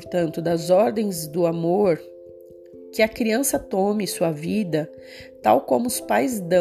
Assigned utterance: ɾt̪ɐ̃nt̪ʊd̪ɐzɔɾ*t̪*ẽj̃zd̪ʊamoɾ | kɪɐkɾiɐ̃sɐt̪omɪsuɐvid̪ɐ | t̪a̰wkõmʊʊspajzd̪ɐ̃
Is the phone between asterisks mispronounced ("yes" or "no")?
yes